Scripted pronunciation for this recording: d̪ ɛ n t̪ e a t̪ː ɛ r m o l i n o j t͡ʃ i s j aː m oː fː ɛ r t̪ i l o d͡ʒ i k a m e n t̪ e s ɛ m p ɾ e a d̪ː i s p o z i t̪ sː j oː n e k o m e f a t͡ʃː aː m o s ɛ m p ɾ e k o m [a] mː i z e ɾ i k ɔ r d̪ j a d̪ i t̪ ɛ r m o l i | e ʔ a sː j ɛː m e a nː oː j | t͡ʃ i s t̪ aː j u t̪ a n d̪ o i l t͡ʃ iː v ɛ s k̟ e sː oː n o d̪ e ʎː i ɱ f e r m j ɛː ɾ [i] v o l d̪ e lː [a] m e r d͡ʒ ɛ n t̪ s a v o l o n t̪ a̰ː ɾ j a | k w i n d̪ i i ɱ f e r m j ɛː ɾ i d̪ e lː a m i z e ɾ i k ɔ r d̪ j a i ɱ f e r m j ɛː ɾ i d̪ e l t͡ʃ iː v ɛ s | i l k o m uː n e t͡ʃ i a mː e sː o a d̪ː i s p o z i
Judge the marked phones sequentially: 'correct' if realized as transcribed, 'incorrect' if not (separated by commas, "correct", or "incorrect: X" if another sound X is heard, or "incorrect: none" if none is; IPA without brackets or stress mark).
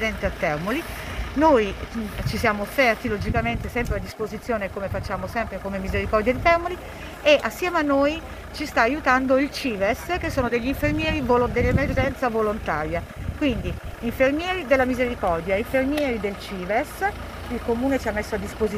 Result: incorrect: e, correct, incorrect: e